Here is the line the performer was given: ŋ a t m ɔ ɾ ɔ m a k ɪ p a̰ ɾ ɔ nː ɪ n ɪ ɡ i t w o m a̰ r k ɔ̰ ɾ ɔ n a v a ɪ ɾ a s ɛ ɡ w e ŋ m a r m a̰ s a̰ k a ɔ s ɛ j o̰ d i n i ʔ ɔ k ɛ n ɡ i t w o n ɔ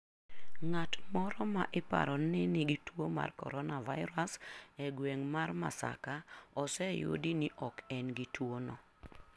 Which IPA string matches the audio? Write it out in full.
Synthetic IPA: ŋ a t m ɔ ɾ ɔ m a ʔ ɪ p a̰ ɾ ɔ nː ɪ n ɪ ɡ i t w o m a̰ r k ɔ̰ ɾ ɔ n a v a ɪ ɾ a s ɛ ɡ w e ŋ m a r m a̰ s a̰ k a ɔ s ɛ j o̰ d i n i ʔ ɔ k ɛ n ɡ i t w o n ɔ